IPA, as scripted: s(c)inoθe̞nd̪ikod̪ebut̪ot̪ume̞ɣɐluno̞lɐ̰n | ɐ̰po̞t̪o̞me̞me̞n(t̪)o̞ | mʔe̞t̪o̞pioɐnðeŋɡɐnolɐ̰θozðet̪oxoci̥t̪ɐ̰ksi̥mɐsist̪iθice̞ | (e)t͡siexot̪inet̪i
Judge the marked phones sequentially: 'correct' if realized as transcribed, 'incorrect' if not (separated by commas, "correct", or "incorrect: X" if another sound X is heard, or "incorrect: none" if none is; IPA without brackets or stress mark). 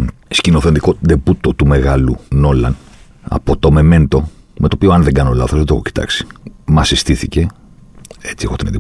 correct, correct, correct